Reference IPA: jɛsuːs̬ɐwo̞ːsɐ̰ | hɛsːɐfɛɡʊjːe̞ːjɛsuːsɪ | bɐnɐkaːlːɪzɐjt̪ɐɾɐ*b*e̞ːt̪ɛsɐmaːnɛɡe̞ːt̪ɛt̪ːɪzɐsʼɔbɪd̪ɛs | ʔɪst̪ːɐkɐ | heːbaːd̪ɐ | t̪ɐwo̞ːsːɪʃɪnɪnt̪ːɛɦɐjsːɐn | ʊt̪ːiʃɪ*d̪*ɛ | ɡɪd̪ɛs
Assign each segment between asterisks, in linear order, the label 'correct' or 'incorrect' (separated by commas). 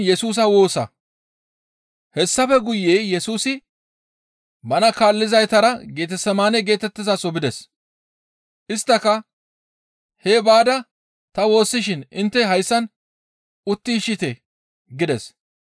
incorrect, incorrect